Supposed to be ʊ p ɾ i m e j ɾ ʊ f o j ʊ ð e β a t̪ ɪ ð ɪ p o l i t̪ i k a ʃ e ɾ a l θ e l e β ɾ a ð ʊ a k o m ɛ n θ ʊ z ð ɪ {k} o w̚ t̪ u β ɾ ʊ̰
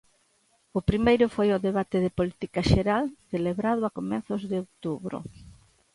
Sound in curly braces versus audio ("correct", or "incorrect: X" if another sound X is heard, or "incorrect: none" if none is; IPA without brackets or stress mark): incorrect: none